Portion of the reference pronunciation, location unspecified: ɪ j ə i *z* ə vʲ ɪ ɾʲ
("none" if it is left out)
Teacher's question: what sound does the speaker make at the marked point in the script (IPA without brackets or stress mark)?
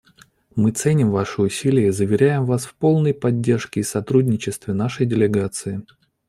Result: z